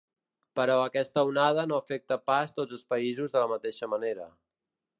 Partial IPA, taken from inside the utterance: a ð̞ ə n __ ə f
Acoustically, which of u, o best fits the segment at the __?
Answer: o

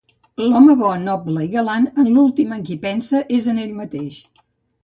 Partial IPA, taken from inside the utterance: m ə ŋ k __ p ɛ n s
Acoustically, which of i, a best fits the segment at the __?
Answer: i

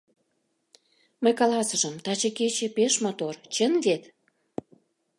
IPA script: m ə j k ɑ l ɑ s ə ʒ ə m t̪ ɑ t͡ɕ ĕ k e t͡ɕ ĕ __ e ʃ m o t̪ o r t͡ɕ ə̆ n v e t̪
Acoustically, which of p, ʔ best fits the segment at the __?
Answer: p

